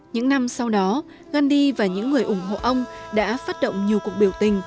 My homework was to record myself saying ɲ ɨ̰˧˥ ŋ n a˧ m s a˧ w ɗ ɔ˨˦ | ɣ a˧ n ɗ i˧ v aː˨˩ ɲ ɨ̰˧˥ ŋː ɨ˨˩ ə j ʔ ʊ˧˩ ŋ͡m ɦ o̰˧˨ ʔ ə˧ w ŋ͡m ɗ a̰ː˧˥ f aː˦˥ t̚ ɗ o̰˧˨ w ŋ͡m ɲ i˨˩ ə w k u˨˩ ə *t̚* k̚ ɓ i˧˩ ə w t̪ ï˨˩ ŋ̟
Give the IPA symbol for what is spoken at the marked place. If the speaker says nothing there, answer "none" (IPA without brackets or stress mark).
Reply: none